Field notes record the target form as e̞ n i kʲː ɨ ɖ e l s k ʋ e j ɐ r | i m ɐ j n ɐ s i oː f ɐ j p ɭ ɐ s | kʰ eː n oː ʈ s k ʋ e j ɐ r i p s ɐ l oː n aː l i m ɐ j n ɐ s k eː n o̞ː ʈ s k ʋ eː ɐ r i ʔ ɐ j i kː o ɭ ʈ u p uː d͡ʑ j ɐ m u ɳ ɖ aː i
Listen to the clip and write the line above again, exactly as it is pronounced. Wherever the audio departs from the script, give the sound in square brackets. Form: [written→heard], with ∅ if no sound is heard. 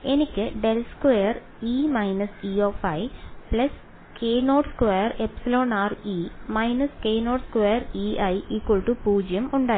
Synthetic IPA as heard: e̞ n i kʲː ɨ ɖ e l s k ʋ e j ɐ r | i m ɐ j n ɐ s i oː f ɐ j p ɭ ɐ s | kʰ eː n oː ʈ s k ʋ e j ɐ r [i→e] p s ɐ l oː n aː [l→r] i m ɐ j n ɐ s k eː n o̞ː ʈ s k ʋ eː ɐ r i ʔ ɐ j i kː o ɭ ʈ u p uː d͡ʑ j ɐ m u ɳ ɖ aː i

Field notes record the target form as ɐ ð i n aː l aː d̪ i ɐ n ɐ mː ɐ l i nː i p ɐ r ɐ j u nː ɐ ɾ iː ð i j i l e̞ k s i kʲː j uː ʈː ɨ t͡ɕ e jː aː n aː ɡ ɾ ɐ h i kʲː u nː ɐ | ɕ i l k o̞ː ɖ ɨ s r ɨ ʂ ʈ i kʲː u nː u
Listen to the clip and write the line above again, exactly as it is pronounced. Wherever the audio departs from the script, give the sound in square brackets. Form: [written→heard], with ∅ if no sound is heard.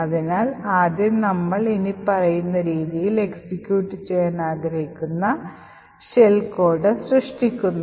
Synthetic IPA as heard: ɐ ð i n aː l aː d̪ [i→j] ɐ n ɐ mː ɐ [l→ɭ] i [nː→n] i p ɐ r ɐ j u nː ɐ ɾ iː ð i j i l e̞ k s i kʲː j uː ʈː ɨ t͡ɕ e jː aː n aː ɡ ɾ ɐ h i kʲː u nː ɐ | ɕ [i→e] l k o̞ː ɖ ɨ s r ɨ ʂ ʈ i kʲː u nː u

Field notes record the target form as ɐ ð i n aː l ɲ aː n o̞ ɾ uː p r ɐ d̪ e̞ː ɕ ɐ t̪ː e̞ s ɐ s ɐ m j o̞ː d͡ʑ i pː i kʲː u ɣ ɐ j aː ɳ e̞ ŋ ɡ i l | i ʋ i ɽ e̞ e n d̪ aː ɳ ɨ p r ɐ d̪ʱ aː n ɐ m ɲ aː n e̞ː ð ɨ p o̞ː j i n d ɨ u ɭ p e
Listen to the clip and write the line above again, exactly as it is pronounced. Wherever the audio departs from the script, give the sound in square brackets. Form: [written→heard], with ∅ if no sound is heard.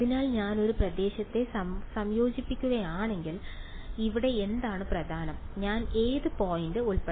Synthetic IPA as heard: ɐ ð i n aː l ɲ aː n o̞ ɾ [uː→u] p r ɐ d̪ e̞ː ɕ ɐ t̪ː e̞ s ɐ s ɐ m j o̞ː d͡ʑ i pː i kʲː u ɣ ɐ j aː ɳ e̞ ŋ ɡ i l | i ʋ i ɽ e̞ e n d̪ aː ɳ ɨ p r ɐ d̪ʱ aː n ɐ m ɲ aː n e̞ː ð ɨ p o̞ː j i n d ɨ u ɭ p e

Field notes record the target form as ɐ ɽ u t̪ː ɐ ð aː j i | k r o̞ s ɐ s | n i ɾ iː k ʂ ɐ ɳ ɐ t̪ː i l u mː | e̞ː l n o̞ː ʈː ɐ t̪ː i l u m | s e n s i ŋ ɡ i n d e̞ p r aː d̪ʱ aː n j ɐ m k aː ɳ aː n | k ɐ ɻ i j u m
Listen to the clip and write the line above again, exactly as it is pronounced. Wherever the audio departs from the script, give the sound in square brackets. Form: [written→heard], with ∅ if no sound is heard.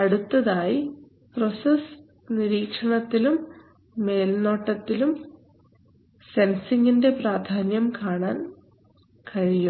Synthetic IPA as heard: ɐ ɽ u t̪ː ɐ ð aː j i | [k→p] r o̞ s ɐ s | n i ɾ iː k ʂ ɐ ɳ ɐ t̪ː i l u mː | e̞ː l n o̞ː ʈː ɐ t̪ː i l u m | s e n s i ŋ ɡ i n d e̞ p r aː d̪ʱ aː n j ɐ m k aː ɳ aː n | k ɐ ɻ i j u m

